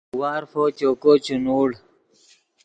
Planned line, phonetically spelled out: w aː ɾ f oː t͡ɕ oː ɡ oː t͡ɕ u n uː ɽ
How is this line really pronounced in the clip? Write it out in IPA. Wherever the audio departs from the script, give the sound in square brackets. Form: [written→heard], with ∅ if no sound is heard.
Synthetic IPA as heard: w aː ɾ f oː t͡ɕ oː [ɡ→k] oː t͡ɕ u n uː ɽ